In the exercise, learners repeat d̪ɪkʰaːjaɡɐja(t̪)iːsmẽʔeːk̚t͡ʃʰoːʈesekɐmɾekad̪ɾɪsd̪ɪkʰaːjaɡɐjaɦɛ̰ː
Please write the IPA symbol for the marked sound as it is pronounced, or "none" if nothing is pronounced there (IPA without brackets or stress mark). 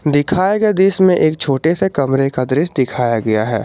d̪